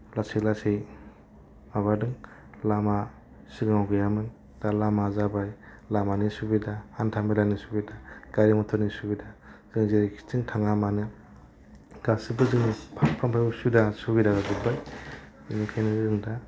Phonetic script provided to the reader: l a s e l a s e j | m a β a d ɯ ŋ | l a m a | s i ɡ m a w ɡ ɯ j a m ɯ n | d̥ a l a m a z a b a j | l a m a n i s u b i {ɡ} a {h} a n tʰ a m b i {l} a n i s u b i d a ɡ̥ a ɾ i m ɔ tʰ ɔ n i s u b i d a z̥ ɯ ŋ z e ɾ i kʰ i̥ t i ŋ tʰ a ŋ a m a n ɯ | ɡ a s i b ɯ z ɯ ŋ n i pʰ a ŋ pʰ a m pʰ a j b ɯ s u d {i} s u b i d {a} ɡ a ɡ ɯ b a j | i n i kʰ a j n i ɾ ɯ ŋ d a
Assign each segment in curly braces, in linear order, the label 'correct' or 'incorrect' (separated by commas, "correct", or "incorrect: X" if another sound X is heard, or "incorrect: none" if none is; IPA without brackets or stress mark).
incorrect: d, correct, correct, incorrect: a, correct